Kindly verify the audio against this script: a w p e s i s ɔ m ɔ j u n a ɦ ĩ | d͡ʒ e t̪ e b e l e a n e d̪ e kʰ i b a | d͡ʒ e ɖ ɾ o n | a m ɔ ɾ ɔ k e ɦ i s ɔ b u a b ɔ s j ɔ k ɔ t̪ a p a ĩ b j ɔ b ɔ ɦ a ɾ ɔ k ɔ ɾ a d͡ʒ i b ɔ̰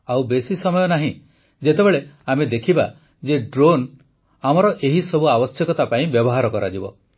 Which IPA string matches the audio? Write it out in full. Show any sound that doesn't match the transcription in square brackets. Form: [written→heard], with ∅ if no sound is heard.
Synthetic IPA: a w [p→b] e s i s ɔ m ɔ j [u→ɔ] n a ɦ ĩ | d͡ʒ e t̪ e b e [l→ɭ] e a [n→m] e d̪ e kʰ i b a | d͡ʒ e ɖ ɾ o n | a m ɔ ɾ ɔ [k→ʔ] e ɦ i s ɔ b u a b ɔ s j ɔ k ɔ t̪ a p a ĩ b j ɔ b ɔ ɦ a ɾ ɔ k ɔ ɾ a d͡ʒ i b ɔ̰